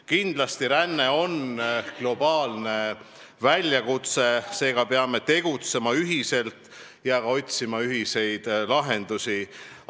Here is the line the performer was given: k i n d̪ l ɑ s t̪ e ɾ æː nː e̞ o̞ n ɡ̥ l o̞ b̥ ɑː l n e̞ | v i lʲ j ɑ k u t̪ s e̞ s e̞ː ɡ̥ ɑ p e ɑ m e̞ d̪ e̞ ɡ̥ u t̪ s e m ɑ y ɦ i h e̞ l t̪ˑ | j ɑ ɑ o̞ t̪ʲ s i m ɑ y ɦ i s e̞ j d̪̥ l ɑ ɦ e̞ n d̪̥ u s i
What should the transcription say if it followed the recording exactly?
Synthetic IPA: k i n d̪ l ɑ s t̪ i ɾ æ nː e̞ o̞ n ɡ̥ l o̞ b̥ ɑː l n e̞ | v æ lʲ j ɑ k u t̪ s e̞ s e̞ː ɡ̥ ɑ p e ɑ m e̞ t̪ e̞ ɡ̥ u t̪ s e m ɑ y ɦ i s e̞ l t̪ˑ | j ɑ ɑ o̞ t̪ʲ s i m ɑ y ɦ i s e̞ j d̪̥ l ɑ ɦ e̞ n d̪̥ u s i